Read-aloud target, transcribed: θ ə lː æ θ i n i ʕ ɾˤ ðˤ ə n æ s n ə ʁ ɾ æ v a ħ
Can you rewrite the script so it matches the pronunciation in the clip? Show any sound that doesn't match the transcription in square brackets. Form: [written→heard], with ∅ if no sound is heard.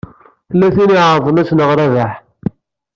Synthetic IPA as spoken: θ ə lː æ θ i n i ʕ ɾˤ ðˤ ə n æ s n ə ʁ ɾ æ v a ħ